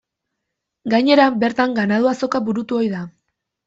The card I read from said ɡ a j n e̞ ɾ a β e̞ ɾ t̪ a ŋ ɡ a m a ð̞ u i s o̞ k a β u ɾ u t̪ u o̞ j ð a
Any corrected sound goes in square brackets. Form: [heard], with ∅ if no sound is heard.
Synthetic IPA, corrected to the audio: ɡ a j [ɲ] e̞ ɾ a [b] e̞ ɾ t̪ a ŋ ɡ a [n] a ð̞ u [a] s o̞ k a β u ɾ u t̪ u o̞ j ð a

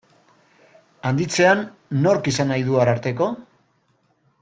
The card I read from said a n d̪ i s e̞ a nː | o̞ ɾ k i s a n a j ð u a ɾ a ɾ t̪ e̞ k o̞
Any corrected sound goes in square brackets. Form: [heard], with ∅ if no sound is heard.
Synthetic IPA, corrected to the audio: a n d̪ i [t͡s] e̞ a nː | o̞ ɾ k i s a n a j ð u a ɾ a ɾ t̪ e̞ k o̞

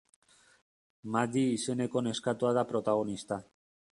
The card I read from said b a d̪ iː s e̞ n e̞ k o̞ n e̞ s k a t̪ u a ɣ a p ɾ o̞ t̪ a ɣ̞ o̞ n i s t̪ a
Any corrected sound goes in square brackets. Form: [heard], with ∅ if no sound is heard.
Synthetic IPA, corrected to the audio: [m] a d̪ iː s e̞ n e̞ k o̞ n e̞ s k a t̪ u a [ð] a p ɾ o̞ t̪ a ɣ̞ o̞ n i s t̪ a

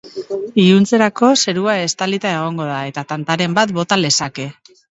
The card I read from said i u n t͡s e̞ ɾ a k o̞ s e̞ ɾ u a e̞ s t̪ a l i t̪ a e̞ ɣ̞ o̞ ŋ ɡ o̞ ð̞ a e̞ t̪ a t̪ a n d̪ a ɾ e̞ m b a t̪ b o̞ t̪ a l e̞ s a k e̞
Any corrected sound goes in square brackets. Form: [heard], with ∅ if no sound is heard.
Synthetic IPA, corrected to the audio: i u n t͡s e̞ ɾ a k o̞ s e̞ ɾ u a e̞ s t̪ a l i t̪ a e̞ ɣ̞ o̞ ŋ ɡ o̞ ð̞ a e̞ t̪ a t̪ a n [t̪] a ɾ e̞ m b a t̪ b o̞ t̪ a l e̞ s a k e̞

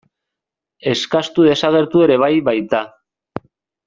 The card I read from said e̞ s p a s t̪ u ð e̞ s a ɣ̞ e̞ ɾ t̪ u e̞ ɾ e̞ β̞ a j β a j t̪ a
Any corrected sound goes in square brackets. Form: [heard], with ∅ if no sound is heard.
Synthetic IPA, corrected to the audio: e̞ s [k] a s t̪ u ð e̞ s a ɣ̞ e̞ ɾ t̪ u e̞ ɾ e̞ β̞ a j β a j t̪ a

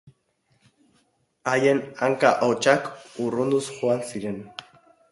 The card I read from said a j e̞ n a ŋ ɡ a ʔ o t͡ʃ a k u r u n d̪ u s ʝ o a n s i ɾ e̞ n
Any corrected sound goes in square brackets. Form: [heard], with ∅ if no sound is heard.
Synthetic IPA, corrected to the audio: a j e̞ n a ŋ [k] a ʔ o t͡ʃ a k u r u n d̪ u s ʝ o a n s i ɾ e̞ n

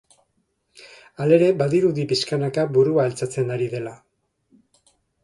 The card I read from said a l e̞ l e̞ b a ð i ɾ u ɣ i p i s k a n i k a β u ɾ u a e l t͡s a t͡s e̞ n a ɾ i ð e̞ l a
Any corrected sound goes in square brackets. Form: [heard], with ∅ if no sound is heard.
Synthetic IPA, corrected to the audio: a l e̞ [ɾ] e̞ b a ð i ɾ u [ð] i p i s k a n [a] k a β u ɾ u a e l t͡s a t͡s e̞ n a ɾ i ð e̞ l a

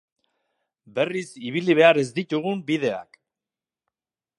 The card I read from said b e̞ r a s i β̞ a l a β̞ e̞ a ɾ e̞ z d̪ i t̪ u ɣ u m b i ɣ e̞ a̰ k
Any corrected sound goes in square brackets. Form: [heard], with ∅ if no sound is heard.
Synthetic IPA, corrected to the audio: b e̞ r [i] s i β̞ [i] l [i] β̞ e̞ a ɾ e̞ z d̪ i t̪ u ɣ u m b i [ð] e̞ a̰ k

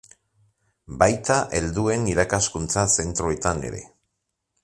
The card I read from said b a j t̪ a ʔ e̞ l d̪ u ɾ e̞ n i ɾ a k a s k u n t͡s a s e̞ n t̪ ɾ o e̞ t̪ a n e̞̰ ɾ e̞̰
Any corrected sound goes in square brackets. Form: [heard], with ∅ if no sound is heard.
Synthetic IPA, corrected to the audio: b a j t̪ a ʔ e̞ l d̪ u [∅] e̞ n i ɾ a k a s k u n t͡s a s e̞ n t̪ ɾ o e̞ t̪ a n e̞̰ ɾ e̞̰

